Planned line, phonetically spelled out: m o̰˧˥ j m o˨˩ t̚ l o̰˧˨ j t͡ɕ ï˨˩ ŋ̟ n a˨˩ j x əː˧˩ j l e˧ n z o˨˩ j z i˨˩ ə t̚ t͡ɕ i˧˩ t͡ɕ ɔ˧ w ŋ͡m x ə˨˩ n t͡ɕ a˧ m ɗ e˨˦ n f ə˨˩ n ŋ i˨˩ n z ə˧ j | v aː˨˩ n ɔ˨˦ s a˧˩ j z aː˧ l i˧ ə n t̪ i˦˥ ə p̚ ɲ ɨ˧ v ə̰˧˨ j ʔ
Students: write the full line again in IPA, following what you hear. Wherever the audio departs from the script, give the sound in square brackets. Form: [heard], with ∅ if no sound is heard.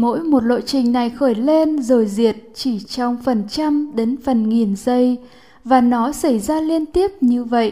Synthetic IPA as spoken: m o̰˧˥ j m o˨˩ t̚ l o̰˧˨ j t͡ɕ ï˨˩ ŋ̟ n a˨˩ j x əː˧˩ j l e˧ n z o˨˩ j z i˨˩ ə t̚ t͡ɕ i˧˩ t͡ɕ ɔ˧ w ŋ͡m [f] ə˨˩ n t͡ɕ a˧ m ɗ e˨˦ n f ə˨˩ n ŋ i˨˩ n z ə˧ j | v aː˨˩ n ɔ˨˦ s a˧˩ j z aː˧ l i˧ ə n t̪ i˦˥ ə p̚ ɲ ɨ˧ v ə̰˧˨ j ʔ